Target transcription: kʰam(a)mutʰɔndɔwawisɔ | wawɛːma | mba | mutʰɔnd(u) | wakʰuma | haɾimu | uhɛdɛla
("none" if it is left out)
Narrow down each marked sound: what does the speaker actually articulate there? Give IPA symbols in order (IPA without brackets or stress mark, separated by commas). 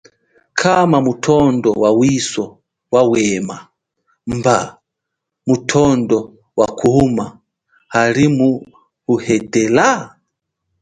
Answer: a, ɔ